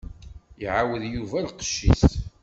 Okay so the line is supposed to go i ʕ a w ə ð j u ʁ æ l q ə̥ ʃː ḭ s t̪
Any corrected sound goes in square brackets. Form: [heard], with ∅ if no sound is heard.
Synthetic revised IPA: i ʕ a w ə ð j u [v] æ l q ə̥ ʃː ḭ s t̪